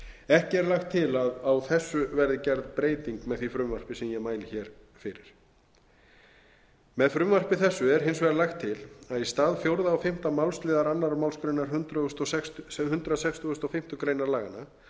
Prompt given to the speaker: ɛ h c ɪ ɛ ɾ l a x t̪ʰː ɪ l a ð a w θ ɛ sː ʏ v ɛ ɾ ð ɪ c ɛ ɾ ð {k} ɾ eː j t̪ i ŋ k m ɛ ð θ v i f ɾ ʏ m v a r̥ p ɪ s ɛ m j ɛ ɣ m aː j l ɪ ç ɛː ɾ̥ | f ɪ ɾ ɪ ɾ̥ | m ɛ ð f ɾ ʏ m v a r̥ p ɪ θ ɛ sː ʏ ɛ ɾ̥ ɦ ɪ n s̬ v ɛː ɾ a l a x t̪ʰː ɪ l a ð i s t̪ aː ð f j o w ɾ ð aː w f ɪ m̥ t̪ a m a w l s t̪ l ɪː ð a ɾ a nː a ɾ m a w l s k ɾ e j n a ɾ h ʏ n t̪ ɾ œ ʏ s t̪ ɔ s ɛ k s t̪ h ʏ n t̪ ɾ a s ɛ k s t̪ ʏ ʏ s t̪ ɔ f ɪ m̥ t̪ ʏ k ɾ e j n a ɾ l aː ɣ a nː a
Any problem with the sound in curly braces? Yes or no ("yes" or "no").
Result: yes